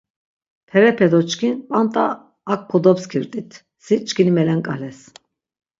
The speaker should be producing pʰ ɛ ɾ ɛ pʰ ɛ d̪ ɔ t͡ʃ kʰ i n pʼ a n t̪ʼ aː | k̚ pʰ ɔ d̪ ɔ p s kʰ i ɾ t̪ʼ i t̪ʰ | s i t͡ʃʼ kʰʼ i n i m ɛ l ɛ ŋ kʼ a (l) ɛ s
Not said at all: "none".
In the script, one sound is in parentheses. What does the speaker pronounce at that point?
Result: l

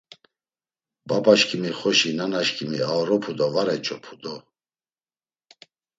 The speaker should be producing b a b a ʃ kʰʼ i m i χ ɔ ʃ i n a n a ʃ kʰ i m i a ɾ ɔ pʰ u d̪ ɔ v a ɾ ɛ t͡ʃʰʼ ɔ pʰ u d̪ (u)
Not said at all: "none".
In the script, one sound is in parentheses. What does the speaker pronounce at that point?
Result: ɔ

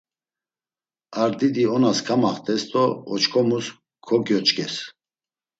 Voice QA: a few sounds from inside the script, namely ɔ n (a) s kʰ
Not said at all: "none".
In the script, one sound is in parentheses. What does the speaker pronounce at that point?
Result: a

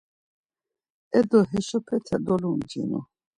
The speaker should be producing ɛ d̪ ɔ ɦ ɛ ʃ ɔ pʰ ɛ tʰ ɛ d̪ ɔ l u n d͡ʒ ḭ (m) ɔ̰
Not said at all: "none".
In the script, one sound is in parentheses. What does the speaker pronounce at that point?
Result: n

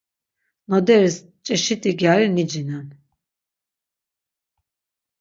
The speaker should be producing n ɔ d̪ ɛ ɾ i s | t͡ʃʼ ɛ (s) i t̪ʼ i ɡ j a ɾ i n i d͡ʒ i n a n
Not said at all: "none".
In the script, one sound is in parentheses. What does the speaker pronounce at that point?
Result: ʃ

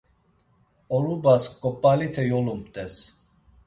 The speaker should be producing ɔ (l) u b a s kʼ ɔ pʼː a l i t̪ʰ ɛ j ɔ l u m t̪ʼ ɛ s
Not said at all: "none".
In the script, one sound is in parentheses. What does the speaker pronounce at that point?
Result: l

